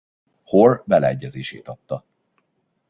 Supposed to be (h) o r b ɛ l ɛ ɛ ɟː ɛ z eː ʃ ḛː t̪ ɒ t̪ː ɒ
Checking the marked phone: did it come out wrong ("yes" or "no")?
no